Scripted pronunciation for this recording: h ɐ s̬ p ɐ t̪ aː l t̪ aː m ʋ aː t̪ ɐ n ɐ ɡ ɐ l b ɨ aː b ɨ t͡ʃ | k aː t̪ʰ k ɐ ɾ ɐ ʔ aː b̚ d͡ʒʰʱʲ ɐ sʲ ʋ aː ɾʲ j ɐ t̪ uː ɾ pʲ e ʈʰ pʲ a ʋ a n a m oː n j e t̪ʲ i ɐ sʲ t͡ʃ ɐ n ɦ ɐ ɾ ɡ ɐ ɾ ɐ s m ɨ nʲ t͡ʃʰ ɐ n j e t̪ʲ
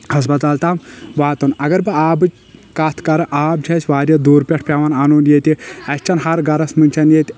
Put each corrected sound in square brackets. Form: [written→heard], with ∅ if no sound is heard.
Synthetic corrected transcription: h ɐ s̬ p ɐ t̪ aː l t̪ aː m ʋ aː t̪ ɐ n ɐ ɡ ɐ [l→ɾ] b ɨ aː b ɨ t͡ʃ | k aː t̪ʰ k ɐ ɾ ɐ ʔ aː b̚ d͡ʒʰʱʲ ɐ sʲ ʋ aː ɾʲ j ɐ [t̪→d̪] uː ɾ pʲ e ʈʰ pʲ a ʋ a n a [m→n] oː n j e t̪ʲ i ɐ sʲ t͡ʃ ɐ n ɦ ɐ ɾ ɡ ɐ ɾ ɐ s m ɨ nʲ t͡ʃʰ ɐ n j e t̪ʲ